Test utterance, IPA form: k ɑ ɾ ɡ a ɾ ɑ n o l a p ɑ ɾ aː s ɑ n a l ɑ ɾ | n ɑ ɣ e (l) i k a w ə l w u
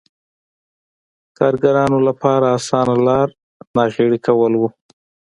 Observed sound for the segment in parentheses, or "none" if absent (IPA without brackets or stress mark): ɽ